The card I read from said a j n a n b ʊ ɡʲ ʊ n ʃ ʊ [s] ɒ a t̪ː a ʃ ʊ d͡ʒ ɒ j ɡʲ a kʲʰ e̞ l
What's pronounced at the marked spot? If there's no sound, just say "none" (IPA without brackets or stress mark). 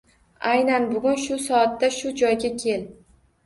s